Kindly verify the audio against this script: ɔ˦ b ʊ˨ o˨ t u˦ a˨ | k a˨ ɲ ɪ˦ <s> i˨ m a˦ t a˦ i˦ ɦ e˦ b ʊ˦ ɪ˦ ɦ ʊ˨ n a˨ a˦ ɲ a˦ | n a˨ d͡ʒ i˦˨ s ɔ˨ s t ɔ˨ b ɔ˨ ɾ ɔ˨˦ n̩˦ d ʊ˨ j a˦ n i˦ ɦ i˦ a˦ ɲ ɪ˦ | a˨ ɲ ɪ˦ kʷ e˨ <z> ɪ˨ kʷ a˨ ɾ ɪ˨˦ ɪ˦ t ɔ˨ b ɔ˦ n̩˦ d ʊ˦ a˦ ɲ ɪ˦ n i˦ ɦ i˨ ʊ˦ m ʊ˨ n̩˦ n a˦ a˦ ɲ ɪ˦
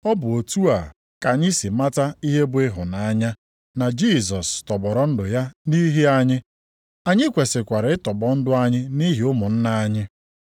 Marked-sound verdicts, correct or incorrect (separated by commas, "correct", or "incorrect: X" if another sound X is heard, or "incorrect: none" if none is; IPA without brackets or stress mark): correct, incorrect: s